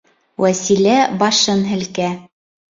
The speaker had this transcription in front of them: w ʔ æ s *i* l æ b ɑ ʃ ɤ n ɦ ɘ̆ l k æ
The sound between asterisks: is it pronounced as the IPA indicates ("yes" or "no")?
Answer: yes